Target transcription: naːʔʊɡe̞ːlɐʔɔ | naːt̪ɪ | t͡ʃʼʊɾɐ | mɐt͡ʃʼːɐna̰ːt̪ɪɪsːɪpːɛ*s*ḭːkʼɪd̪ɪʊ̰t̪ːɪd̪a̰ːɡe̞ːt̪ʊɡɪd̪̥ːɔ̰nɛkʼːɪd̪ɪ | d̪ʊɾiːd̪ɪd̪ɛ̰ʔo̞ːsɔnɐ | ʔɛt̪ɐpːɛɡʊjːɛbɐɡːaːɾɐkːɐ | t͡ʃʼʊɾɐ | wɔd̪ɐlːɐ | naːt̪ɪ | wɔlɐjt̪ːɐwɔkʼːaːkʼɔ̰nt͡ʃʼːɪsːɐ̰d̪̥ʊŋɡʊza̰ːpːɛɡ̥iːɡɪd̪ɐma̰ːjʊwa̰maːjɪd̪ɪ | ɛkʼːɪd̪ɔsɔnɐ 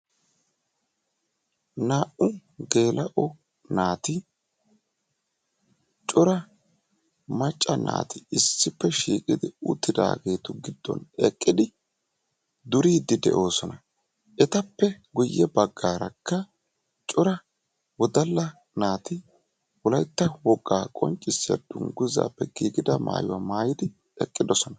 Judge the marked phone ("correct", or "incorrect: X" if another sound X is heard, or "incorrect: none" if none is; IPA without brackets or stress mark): incorrect: ʃ